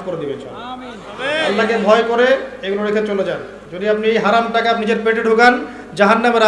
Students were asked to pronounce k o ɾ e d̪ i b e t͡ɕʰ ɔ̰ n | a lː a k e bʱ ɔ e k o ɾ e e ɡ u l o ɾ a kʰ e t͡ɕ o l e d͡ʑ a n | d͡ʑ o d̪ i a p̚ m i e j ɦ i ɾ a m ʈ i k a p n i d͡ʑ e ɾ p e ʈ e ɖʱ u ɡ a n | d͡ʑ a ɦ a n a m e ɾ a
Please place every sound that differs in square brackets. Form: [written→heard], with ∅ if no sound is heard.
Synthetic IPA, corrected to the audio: k o ɾ e d̪ i b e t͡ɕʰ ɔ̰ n | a lː a k e bʱ ɔ e k o ɾ e e ɡ u l o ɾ [a→e] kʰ e t͡ɕ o l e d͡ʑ a n | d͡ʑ o d̪ i a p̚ [m→n] i e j ɦ [i→a] ɾ a m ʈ [i→a] k a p n i d͡ʑ e ɾ p e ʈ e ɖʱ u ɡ a n | d͡ʑ a ɦ a [n→nː] a m e ɾ a